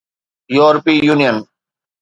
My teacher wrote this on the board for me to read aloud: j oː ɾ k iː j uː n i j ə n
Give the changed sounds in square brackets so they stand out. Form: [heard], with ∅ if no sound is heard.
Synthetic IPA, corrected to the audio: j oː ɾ [p] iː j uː n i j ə n